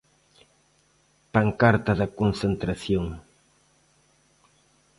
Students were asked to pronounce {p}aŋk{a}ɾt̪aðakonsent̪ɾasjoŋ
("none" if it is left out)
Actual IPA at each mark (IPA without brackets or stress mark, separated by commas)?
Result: p, a